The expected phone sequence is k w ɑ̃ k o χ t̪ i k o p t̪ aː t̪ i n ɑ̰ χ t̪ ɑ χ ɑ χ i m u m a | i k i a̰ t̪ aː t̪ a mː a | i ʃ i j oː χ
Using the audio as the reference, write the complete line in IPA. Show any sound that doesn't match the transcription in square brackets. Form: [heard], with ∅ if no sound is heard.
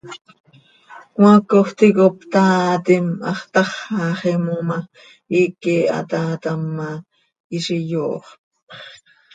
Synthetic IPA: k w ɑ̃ k o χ t̪ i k o p t̪ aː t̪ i [m] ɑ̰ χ t̪ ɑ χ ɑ χ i m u m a | i k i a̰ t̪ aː t̪ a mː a | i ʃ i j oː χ